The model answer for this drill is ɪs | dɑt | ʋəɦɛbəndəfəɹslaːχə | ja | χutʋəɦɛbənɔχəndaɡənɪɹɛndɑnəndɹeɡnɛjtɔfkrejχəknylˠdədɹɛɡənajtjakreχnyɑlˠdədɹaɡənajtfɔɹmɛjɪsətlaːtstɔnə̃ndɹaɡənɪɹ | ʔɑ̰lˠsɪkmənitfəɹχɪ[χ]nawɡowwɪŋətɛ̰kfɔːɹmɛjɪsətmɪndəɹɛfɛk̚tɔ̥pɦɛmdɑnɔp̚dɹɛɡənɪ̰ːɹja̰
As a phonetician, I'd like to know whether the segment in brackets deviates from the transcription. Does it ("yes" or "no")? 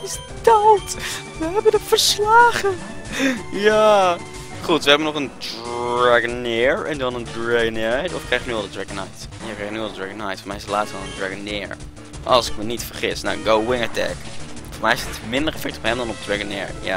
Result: yes